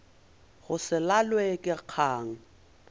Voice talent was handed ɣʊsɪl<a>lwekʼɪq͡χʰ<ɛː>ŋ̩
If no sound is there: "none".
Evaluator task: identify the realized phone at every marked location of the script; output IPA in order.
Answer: a, aː

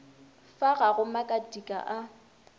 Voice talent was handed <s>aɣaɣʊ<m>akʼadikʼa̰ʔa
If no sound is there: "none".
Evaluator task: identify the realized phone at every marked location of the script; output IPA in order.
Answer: f, m

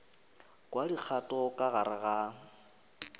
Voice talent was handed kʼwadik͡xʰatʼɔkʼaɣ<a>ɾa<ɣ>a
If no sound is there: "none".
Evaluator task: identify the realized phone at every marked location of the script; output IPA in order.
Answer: a, ɣ

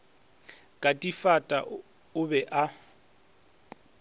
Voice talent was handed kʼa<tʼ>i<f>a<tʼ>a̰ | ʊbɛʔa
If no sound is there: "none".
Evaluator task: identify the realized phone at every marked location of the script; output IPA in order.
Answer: tʼ, f, tʼ

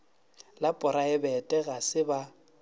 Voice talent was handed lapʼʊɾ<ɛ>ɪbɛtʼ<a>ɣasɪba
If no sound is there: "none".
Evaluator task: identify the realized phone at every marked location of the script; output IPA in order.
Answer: a, ɛ

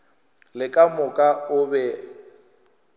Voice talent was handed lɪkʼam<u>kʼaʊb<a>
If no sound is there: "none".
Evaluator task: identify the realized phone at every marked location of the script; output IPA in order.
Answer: ʊ, ɛ

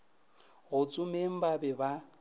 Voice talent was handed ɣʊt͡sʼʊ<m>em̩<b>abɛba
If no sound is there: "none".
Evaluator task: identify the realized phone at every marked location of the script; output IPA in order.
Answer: m, b

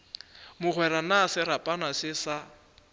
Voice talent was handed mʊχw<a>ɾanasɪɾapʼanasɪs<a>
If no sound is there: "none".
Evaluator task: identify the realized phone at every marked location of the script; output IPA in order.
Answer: ɛ, a

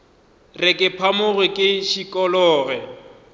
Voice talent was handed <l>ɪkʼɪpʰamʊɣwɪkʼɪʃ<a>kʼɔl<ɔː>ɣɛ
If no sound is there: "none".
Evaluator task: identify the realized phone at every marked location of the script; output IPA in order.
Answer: r, i, ɔː

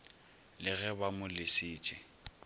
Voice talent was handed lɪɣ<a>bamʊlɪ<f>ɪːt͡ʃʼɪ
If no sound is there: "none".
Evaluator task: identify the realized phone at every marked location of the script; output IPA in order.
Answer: ɛ, s

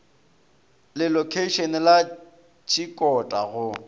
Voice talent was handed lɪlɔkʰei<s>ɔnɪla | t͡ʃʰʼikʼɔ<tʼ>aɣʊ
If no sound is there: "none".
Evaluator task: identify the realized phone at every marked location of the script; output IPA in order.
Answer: ʃ, tʼ

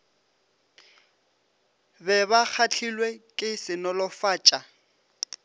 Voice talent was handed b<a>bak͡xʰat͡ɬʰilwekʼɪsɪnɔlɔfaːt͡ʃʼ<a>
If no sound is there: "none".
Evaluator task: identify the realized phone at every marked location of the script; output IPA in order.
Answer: ɛ, a

